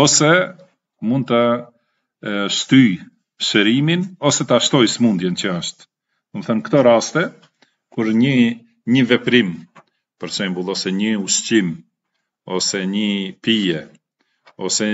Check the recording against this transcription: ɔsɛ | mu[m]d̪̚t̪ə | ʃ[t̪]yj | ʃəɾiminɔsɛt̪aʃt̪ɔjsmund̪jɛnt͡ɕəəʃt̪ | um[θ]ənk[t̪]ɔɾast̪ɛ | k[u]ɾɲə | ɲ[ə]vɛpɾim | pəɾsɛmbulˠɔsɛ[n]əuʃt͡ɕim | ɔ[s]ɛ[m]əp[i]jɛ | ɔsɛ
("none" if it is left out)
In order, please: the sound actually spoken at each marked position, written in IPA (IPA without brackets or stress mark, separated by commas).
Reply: n, t̪, θ, t̪, u, ə, ɲ, s, ɲ, i